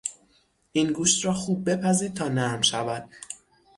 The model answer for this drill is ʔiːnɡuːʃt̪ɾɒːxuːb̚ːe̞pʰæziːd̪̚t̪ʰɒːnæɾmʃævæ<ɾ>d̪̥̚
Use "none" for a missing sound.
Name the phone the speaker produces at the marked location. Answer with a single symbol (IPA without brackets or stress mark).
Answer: none